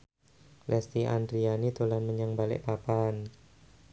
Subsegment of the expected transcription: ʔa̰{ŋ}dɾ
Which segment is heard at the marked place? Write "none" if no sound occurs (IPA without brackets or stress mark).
n